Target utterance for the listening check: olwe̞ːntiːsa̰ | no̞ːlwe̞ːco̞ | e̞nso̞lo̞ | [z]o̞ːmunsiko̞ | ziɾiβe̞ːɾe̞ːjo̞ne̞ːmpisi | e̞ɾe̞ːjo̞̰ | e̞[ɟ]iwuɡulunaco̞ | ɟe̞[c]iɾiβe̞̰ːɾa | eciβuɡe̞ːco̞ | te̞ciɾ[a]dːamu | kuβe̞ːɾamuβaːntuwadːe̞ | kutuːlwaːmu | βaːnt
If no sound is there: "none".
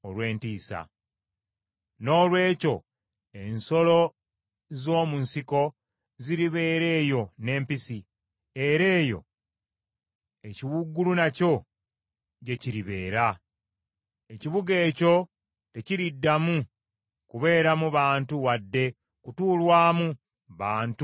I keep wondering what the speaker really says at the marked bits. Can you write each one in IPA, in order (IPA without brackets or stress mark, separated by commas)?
z, c, c, i